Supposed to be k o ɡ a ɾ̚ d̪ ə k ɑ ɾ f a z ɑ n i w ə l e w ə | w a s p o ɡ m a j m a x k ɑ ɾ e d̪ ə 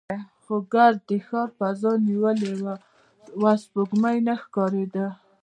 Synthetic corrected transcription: x o ɡ a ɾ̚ d̪ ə x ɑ ɾ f a z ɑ n i w ə l e w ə | w a s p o ɡ m a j n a x k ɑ ɾ e d̪ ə

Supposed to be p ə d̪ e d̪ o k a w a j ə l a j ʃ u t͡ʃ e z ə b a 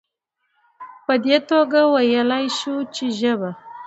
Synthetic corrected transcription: p ə d̪ e t̪ o ɡ a w a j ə l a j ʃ u t͡ʃ e ʒ ə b a

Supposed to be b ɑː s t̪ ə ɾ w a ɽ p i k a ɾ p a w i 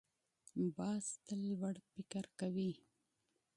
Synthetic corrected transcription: b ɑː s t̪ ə l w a ɽ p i k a ɾ k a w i

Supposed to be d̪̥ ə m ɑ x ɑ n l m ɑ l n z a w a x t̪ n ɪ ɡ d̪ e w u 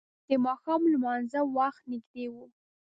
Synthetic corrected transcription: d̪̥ ə m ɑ x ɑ m l m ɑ n z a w a x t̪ n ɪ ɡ d̪ e w u

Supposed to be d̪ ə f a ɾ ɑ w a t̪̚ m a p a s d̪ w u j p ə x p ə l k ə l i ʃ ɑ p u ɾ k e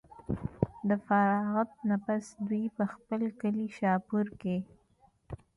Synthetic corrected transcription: d̪ ə f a ɾ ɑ ɣ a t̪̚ n a p a s d̪ w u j p ə x p ə l k ə l i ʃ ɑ p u ɾ k e

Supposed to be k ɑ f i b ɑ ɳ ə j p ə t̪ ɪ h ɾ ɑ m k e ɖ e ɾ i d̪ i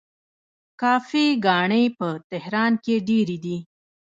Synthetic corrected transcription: k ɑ f i ɡ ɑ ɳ ə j p ə t̪ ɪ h ɾ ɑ n k e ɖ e ɾ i d̪ i

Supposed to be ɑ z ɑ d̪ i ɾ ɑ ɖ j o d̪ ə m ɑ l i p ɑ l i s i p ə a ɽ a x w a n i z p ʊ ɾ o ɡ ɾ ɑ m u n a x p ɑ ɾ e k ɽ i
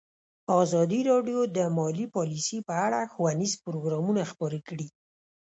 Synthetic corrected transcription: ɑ z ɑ d̪ i ɾ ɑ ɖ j o d̪ ə m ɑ l i p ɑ l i s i p ə a ɽ a x w a n i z p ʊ ɾ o ɡ ɾ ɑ m u n a x p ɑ ɾ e k ɽ i

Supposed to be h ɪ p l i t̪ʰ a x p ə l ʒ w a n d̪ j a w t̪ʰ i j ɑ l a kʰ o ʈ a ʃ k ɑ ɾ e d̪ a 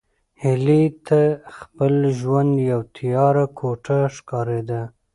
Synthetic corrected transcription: h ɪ l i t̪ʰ a x p ə l ʒ w a n d̪ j a w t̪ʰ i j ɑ ɾ a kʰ o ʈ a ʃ k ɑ ɾ e d̪ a

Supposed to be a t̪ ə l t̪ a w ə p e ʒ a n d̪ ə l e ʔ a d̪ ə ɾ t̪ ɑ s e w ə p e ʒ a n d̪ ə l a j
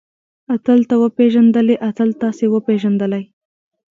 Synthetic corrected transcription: a t̪ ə l t̪ a w ə p e ʒ a n d̪ ə l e ʔ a t̪ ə l t̪ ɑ s e w ə p e ʒ a n d̪ ə l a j

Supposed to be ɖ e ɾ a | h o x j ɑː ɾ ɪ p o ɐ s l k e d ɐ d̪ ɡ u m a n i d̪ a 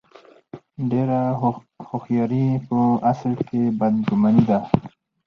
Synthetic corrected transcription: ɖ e ɾ a | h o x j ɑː ɾ i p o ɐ s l k e b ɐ d̪ ɡ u m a n i d̪ a

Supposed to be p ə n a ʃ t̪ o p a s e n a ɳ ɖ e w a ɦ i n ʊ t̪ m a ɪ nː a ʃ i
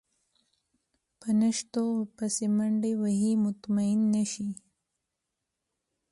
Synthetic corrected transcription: p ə n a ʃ t̪ o p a s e m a ɳ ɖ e w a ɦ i m ʊ t̪ m a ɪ nː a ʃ i

